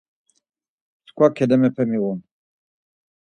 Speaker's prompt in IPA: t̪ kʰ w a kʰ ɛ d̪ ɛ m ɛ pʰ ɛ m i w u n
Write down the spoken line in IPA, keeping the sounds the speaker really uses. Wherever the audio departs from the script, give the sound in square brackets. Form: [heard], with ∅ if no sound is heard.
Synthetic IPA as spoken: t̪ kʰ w a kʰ ɛ d̪ ɛ m ɛ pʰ ɛ m i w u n